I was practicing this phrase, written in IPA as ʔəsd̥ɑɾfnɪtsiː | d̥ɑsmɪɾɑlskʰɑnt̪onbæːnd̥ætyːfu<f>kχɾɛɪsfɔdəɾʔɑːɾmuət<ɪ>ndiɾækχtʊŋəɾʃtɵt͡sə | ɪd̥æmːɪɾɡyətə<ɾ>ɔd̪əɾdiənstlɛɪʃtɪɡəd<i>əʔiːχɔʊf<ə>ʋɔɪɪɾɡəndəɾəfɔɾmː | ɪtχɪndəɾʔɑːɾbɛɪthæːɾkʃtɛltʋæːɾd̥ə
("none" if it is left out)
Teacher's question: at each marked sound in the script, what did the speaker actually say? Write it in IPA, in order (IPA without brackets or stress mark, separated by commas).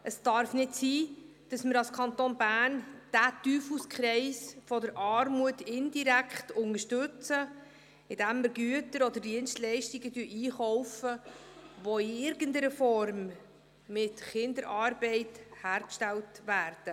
s, ɪ, ɾ, y, ə